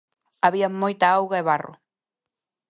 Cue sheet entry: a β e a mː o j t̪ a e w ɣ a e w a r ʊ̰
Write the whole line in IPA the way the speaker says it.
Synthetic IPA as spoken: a β i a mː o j t̪ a a w ɣ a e β a r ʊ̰